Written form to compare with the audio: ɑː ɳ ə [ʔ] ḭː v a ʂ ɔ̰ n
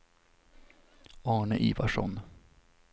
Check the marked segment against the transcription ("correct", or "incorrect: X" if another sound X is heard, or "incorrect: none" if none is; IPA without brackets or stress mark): correct